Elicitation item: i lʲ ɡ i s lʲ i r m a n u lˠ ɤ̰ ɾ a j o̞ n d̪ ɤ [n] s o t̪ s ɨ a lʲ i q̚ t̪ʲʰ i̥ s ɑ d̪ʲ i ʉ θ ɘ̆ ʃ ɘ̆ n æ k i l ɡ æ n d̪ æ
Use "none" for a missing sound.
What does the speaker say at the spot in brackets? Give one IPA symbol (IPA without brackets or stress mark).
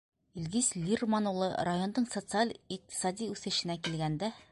ɴ